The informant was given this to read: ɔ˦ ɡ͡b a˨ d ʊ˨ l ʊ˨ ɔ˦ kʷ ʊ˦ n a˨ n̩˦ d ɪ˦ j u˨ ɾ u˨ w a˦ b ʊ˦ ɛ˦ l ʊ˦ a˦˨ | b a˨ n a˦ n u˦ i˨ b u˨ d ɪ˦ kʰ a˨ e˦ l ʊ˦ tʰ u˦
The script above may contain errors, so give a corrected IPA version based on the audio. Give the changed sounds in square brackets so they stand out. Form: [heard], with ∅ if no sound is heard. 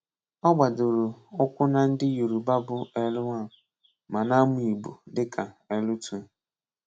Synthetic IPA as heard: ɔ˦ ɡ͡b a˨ d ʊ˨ [ɾ] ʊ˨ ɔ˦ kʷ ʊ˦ n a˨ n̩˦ d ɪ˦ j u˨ ɾ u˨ [b] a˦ b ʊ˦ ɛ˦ l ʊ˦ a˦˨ | [m] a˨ n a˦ [m] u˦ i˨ b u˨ d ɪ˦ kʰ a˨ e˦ l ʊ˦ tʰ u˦